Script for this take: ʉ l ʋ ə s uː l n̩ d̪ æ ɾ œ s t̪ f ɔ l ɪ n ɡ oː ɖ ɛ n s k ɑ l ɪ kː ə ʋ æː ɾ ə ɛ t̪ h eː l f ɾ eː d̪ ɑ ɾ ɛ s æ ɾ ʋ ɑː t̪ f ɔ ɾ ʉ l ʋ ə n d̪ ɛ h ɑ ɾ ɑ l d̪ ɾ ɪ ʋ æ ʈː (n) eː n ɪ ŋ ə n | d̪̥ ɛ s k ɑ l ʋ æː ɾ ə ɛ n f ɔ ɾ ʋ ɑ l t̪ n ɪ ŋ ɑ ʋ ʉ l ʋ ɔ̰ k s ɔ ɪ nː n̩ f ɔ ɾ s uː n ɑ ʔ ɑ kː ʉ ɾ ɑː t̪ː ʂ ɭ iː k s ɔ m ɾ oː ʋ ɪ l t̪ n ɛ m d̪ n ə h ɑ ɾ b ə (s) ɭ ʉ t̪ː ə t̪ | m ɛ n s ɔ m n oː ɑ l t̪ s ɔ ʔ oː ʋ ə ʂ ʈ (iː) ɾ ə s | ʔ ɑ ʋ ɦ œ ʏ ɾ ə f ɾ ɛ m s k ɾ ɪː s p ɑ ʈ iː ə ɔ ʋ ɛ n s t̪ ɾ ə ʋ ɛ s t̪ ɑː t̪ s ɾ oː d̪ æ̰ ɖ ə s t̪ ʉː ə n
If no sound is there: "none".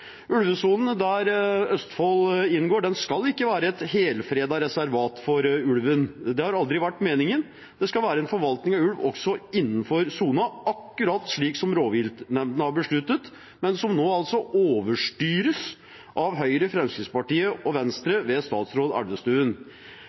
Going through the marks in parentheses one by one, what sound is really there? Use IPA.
m, ʂ, yː

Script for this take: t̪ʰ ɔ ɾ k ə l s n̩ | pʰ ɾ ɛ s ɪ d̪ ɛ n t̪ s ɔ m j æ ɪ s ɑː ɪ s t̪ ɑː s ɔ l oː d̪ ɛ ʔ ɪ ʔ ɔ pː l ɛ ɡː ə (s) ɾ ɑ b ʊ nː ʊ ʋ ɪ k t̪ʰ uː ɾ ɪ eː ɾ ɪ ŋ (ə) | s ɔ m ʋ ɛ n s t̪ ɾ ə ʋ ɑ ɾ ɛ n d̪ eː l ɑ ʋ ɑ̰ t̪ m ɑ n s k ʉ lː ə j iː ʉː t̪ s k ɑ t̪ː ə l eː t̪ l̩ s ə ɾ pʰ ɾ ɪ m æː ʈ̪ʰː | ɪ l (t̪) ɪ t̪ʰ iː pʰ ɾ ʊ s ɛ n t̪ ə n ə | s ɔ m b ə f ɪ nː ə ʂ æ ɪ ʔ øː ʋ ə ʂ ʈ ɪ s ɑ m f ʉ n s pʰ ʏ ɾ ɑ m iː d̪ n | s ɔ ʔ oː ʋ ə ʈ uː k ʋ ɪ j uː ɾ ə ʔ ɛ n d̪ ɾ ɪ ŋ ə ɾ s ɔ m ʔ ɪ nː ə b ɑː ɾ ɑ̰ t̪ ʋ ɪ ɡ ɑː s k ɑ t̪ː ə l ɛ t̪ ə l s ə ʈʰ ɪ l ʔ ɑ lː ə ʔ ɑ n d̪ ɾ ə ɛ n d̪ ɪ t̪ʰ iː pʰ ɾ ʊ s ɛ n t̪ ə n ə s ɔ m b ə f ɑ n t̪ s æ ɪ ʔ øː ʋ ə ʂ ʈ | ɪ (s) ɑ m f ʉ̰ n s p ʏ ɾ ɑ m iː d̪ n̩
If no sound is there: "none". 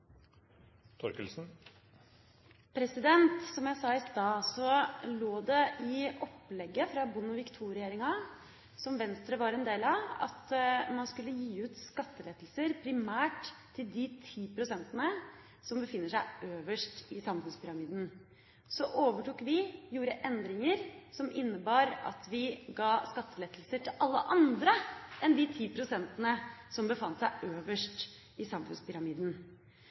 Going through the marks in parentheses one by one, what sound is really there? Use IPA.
f, ɑ, d̪, s

